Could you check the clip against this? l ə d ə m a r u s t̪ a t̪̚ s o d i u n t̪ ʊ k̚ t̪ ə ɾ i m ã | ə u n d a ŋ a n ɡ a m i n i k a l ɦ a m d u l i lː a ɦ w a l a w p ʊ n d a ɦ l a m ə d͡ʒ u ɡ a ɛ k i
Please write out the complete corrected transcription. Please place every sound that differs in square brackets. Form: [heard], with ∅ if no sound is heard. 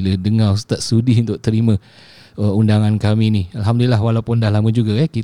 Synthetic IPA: l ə d ə [ŋ] a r u s t̪ a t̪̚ s [u] d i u n t̪ ʊ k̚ t̪ ə ɾ i m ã | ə u n d a ŋ a n [k] a m i n i [∅] a l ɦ a m d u l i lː a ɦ w a l a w p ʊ n d a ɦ l a m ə d͡ʒ u ɡ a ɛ k i